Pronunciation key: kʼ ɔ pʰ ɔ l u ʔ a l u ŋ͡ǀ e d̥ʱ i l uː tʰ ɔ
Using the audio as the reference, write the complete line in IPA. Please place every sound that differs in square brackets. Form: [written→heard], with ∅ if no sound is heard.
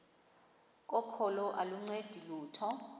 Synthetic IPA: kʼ ɔ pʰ ɔ l [u→ɔ] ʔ a l u ŋ͡ǀ e d̥ʱ i l uː tʰ ɔ